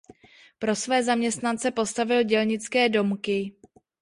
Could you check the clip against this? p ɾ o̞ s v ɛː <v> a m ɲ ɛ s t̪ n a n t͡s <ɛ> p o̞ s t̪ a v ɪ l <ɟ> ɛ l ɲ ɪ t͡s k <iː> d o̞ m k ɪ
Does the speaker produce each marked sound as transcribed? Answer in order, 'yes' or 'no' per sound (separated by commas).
no, yes, yes, no